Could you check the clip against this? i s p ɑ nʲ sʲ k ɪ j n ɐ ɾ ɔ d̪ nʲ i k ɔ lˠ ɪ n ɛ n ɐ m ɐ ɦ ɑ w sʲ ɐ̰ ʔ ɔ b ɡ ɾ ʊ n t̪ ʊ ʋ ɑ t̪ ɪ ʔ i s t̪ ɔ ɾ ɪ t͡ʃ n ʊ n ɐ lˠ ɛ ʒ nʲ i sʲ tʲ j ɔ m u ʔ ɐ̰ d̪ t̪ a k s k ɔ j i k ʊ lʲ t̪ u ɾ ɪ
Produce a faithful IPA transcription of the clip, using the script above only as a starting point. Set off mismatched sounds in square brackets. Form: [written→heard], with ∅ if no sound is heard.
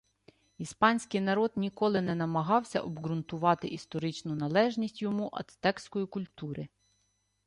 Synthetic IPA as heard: i s p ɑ nʲ sʲ k ɪ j n ɐ ɾ ɔ d̪ nʲ i k ɔ lˠ ɪ n ɛ n ɐ m ɐ ɦ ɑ w sʲ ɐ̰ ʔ ɔ b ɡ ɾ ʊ n t̪ ʊ ʋ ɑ t̪ ɪ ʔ i s t̪ ɔ ɾ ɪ t͡ʃ n ʊ n ɐ lˠ ɛ ʒ nʲ i sʲ tʲ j ɔ m u ʔ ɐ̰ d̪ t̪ [a→ɛ] k s k ɔ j i k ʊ lʲ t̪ u ɾ ɪ